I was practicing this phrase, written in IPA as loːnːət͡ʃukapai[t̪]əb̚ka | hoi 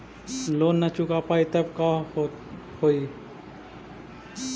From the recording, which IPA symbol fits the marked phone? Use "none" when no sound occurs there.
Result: t̪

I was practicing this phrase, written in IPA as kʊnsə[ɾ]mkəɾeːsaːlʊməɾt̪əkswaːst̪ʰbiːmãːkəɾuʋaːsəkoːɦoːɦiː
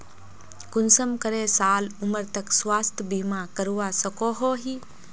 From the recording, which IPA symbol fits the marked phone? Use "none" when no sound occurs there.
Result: none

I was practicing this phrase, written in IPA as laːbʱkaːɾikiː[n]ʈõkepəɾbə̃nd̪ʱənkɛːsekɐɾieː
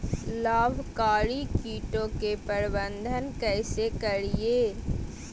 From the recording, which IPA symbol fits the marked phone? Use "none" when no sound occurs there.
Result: none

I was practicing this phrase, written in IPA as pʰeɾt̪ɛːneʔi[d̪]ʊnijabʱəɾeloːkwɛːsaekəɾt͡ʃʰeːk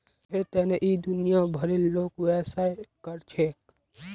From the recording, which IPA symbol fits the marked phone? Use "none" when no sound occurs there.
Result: d̪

